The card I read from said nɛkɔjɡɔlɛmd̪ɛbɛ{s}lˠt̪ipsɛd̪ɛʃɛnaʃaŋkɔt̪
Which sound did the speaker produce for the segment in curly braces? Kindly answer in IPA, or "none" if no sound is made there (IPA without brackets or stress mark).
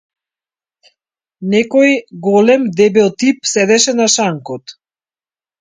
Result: none